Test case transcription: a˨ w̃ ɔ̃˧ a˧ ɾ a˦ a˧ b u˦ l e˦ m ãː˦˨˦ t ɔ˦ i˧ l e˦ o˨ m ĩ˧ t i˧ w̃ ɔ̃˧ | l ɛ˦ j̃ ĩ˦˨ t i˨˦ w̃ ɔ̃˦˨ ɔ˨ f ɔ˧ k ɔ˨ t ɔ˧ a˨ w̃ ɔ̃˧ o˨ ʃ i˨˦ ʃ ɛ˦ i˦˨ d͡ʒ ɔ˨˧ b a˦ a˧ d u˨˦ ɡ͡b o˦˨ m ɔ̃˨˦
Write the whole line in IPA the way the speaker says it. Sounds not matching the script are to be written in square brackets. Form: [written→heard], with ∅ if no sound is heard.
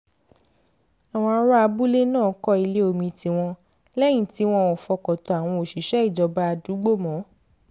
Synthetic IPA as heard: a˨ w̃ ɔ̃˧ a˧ ɾ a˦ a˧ b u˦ l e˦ [m→n] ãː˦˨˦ [t→k] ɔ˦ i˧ l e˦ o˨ m ĩ˧ t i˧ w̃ ɔ̃˧ | l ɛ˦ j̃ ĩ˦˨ t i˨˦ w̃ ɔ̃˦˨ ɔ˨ f ɔ˧ k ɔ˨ t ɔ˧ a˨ w̃ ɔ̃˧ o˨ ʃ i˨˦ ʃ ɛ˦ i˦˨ d͡ʒ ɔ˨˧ b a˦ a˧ d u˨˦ ɡ͡b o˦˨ m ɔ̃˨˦

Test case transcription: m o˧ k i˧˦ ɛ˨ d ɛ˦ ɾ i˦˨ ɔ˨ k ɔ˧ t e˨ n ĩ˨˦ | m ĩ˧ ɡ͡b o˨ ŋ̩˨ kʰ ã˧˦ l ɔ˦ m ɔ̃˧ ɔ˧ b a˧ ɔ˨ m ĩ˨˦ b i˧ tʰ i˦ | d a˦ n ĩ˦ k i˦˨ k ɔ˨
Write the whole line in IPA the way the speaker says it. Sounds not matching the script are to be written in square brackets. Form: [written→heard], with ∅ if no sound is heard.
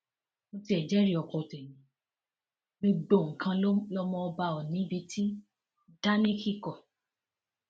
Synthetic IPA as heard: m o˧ [k→t] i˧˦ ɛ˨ [d→d͡ʒ] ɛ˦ ɾ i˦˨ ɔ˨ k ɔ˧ t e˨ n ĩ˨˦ | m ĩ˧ ɡ͡b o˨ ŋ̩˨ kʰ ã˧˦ l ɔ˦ m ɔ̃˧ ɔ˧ b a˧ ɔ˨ [m→n] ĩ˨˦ b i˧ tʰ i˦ | d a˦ n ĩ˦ k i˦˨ k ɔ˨

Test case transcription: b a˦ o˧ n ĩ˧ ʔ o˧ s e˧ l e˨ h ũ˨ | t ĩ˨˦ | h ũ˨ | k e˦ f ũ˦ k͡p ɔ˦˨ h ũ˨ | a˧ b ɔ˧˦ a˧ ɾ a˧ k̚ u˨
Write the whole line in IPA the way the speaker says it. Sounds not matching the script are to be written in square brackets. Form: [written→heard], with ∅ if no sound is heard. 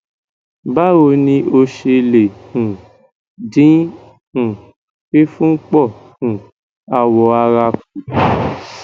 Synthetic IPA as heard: b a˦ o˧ n ĩ˧ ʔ o˧ [s→ʃ] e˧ l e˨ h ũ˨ | [t→d] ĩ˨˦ | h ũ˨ | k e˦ f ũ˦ k͡p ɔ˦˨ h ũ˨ | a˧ [b→w] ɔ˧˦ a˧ ɾ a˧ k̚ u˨

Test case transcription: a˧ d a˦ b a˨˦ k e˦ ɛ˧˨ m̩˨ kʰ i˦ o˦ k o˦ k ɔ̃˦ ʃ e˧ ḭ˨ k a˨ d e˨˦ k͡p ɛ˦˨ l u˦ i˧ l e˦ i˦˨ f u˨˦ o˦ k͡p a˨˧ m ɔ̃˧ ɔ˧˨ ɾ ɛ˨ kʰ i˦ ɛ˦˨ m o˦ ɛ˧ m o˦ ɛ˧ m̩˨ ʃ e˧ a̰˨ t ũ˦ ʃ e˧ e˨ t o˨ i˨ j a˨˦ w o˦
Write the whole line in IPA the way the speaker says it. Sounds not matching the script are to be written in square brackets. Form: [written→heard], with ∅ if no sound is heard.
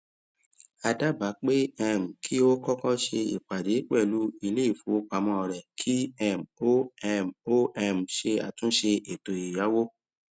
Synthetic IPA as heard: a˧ d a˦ b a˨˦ [k→k͡p] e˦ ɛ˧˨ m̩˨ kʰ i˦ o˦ k [o˦→ɔ˦] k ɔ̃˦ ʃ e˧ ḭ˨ [k→k͡p] a˨ d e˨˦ k͡p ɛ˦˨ l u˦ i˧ l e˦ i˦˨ f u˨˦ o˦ k͡p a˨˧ m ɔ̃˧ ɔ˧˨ ɾ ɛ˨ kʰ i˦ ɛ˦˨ m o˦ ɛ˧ m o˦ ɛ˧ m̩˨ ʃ e˧ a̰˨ t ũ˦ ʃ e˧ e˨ t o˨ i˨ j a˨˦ w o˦

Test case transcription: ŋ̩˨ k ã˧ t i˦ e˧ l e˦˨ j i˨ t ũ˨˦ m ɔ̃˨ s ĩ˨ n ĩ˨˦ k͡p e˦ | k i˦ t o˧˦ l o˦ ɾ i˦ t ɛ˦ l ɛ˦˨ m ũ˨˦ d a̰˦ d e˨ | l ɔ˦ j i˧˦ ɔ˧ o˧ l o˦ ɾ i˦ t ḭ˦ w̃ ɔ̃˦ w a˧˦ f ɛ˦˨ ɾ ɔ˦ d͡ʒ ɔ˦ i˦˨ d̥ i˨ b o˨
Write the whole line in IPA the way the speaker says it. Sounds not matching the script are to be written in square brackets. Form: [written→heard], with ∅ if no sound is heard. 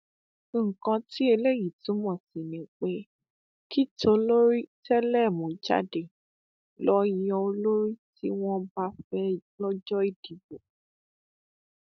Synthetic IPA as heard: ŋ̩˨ k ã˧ t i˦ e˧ l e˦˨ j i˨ t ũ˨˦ m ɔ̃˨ s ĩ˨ n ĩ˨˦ k͡p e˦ | k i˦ t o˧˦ l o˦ ɾ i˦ t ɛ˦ l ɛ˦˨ m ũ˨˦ [d→d͡ʒ] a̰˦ d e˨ | l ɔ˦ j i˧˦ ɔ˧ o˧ l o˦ ɾ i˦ t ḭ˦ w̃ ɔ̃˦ [w→b] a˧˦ f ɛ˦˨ [ɾ→l] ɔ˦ d͡ʒ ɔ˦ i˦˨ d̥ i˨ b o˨

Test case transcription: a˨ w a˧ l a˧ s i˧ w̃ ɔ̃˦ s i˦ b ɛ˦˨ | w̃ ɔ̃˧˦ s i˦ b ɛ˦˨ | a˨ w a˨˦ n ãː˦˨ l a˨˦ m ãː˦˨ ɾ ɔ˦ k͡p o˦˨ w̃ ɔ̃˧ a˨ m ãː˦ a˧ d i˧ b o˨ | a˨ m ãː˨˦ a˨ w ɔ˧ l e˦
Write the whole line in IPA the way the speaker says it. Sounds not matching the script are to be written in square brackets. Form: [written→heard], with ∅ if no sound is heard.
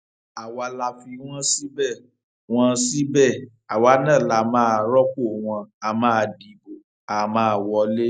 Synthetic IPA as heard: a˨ w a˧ l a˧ [s→f] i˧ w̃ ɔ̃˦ s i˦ b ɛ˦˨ | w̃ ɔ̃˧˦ s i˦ b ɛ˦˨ | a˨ w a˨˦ n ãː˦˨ l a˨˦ m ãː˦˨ ɾ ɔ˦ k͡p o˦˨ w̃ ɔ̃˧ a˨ m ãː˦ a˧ d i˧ b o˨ | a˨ m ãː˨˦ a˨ w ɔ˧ l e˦

